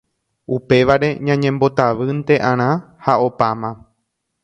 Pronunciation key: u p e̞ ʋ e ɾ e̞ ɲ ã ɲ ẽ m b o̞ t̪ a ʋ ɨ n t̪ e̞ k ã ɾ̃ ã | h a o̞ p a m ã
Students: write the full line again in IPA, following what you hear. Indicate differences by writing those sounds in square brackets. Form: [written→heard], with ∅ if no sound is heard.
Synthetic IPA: u p e̞ ʋ [e→a] ɾ e̞ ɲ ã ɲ ẽ m b o̞ t̪ a ʋ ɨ n t̪ e̞ [k→ʔ] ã ɾ̃ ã | h a o̞ p a m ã

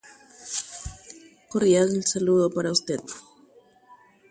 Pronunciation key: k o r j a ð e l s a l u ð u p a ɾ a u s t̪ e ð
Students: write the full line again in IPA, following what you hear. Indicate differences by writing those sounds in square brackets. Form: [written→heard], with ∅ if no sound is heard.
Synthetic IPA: k o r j a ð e l s a l u ð [u→o] p a ɾ a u s t̪ e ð

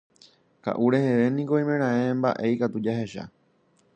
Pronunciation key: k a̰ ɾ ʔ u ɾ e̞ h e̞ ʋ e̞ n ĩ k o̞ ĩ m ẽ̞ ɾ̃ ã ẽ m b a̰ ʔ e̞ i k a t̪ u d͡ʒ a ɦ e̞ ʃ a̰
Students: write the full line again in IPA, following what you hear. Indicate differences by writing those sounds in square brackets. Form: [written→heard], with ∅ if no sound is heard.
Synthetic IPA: k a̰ [ɾ→∅] ʔ u ɾ e̞ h e̞ ʋ e̞ n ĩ k o̞ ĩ m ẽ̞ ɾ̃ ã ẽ m b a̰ ʔ e̞ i k a t̪ u d͡ʒ a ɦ e̞ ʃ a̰

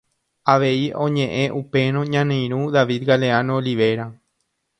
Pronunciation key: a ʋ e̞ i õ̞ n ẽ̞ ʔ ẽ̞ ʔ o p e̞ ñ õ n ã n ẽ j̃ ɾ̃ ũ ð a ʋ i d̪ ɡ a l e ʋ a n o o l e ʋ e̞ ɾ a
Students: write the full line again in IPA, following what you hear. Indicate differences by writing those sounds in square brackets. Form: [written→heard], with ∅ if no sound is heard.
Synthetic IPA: a ʋ e̞ i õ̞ [n→ɲ] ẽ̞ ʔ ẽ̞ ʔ [o→u] p e̞ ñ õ [n→ɲ] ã n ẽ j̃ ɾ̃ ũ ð a ʋ i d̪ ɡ a l e [ʋ→∅] a n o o l [e→i] ʋ e̞ ɾ a

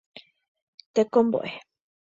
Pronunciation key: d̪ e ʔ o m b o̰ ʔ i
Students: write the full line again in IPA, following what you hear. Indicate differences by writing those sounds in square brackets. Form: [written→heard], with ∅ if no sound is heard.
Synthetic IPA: [d̪→t̪] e [ʔ→k] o m b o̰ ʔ [i→e]

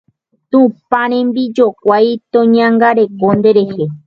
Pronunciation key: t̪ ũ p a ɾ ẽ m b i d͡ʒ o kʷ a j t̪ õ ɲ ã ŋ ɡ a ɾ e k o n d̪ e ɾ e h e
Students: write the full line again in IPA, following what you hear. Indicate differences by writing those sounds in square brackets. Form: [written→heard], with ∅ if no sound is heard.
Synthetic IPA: t̪ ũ p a ɾ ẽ m b i d͡ʒ o kʷ a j t̪ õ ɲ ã ŋ ɡ a ɾ e k o n d̪ e ɾ e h e

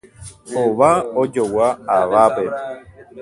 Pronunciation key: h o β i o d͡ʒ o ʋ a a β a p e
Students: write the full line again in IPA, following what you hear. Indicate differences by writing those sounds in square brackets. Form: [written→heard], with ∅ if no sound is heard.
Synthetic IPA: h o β [i→a] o d͡ʒ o [ʋ→w] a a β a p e

